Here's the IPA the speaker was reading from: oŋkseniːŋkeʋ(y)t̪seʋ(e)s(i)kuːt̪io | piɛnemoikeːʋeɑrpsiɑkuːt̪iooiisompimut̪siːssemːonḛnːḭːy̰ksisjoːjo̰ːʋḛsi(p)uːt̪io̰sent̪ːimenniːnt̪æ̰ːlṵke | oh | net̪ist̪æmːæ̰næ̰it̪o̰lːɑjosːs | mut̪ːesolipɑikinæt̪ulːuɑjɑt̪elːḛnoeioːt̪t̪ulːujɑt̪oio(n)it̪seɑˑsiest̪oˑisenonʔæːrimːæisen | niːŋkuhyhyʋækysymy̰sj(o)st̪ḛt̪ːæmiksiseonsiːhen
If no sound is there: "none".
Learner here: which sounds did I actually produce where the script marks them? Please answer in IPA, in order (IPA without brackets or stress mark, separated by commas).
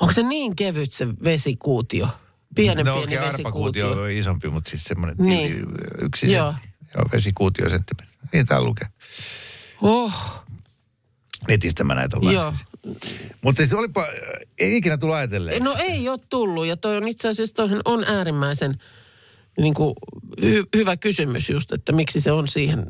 y, e, i, k, n, u